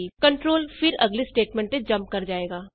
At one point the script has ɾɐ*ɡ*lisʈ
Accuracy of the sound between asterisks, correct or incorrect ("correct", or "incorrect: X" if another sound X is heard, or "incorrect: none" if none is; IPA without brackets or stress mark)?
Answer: correct